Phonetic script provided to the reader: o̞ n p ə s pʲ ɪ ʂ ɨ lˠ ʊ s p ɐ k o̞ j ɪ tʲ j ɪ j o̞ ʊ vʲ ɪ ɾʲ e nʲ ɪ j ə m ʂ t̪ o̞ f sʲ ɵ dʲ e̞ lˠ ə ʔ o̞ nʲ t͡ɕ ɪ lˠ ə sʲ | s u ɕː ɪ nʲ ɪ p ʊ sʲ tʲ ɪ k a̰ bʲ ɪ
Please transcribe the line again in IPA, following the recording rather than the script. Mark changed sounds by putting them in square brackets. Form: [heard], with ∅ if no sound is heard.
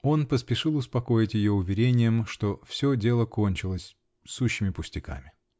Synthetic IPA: o̞ n p ə s pʲ ɪ ʂ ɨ lˠ ʊ s p ɐ k o̞ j ɪ tʲ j ɪ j o̞ ʊ vʲ ɪ ɾʲ e nʲ ɪ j ə m ʂ t̪ o̞ f sʲ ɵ dʲ e̞ lˠ ə [k] o̞ nʲ t͡ɕ ɪ lˠ ə sʲ | s u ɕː ɪ [mʲ] ɪ p ʊ sʲ tʲ ɪ k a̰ [mʲ] ɪ